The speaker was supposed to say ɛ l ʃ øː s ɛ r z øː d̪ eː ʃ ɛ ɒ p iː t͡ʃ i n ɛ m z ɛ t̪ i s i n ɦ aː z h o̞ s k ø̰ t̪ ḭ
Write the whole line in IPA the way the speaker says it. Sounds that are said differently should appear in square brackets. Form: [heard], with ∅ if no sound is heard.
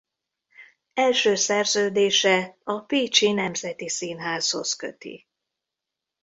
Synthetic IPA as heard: ɛ l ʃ øː s ɛ r z øː d̪ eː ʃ ɛ ɒ p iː t͡ʃ i n ɛ m z ɛ t̪ i s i n ɦ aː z h o̞ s k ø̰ t̪ ḭ